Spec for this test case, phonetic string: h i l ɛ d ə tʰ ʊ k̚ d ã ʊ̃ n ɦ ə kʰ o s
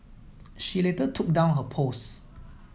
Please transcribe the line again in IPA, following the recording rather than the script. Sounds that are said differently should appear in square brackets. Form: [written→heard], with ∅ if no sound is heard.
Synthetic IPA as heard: [h→ʃ] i l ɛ [d→t] ə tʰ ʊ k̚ d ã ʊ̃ n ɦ ə [kʰ→pʰ] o s